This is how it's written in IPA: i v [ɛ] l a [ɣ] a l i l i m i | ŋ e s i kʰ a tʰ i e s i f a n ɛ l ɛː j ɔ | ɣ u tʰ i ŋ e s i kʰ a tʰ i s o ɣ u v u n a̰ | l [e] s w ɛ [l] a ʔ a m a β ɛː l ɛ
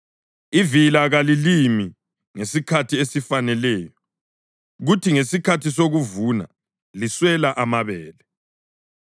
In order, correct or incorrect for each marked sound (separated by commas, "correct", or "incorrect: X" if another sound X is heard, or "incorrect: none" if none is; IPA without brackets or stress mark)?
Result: incorrect: i, correct, incorrect: i, correct